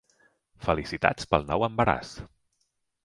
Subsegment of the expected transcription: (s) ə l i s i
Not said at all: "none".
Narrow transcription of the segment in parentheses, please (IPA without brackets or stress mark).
f